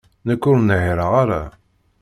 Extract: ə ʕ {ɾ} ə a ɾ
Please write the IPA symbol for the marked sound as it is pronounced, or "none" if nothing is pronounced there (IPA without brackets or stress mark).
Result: ɾ